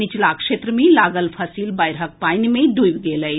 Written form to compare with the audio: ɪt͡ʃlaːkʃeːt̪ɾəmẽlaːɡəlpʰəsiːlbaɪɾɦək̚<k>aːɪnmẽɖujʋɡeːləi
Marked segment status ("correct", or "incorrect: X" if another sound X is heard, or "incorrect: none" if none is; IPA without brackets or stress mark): incorrect: p